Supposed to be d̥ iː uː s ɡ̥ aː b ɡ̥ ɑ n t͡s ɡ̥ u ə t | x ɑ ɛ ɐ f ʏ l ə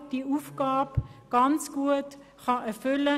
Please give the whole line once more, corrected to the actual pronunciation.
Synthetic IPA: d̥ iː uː f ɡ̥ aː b ɡ̥ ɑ n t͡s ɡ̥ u ə t | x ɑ ɛ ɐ f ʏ l ə